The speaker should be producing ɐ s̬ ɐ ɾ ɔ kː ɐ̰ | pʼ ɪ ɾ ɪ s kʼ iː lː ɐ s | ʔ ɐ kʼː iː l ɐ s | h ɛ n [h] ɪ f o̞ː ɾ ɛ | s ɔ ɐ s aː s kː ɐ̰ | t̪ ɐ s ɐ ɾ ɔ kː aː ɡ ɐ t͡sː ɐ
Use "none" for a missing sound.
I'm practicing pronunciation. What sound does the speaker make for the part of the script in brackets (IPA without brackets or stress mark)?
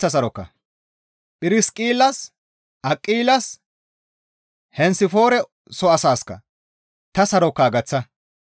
s